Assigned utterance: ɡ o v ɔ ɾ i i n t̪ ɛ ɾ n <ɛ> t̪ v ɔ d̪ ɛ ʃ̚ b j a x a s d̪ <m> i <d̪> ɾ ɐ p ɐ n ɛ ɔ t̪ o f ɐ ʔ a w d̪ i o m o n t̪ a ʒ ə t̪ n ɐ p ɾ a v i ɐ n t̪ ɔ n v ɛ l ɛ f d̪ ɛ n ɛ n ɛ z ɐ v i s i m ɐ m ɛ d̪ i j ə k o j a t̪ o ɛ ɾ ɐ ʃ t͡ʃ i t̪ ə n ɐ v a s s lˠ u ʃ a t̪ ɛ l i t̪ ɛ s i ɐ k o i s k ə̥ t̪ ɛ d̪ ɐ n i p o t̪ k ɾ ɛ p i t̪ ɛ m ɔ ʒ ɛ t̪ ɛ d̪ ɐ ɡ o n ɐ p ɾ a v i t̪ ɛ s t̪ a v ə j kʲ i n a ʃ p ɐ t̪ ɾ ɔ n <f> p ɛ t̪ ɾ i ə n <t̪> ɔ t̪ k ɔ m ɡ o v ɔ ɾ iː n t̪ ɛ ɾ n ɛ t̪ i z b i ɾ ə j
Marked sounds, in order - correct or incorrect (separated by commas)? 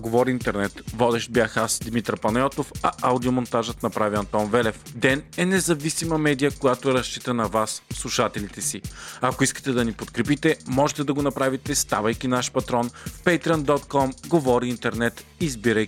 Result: correct, correct, incorrect, correct, incorrect